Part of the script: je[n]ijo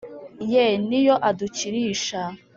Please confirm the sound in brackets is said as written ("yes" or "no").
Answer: yes